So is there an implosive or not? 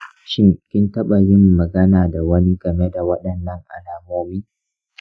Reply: yes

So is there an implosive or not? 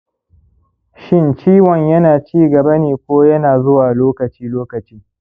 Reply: no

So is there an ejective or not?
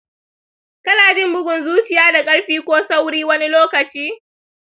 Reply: yes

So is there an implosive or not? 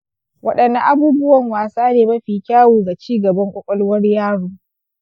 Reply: yes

